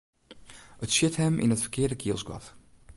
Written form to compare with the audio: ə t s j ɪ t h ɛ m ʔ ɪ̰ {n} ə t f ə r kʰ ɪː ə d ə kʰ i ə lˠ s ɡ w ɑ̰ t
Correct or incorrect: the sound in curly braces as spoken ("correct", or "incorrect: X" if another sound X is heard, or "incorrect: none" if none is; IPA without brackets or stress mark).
correct